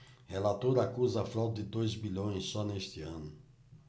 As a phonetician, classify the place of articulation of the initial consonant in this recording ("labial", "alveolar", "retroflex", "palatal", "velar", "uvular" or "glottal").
glottal